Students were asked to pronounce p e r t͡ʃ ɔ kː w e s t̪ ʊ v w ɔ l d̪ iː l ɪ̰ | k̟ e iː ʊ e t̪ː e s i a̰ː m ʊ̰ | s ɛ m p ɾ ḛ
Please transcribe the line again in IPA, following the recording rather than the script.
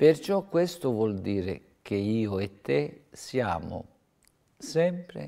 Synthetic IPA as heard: p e r t͡ʃ ɔ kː w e s t̪ ʊ v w ɔ l d̪ iː ɾ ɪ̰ | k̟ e iː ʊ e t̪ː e s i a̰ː m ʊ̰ | s ɛ m p ɾ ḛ